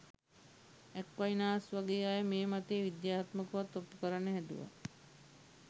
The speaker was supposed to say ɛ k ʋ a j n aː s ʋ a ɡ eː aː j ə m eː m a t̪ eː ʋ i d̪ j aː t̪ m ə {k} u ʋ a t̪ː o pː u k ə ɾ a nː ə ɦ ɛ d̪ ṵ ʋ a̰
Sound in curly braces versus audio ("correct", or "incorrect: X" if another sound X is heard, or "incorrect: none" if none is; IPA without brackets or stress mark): correct